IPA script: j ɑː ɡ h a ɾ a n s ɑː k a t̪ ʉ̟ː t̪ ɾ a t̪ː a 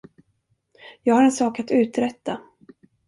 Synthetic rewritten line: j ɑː ɡ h a ɾ ɛ n s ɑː k a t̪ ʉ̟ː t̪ ɾ ɛ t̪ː a